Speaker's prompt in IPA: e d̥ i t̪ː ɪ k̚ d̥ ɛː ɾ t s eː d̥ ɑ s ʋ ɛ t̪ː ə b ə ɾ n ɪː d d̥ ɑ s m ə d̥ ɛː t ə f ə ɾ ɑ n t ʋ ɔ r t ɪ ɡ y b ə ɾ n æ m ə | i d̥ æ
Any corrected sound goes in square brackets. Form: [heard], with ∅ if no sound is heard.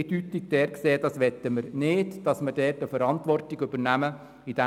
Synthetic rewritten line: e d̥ [y] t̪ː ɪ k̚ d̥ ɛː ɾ [k] s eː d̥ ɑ s ʋ ɛ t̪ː ə [m] ə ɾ n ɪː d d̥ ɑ s m ə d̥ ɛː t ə f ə ɾ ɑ n t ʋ ɔ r t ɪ ɡ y b ə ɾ n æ m ə | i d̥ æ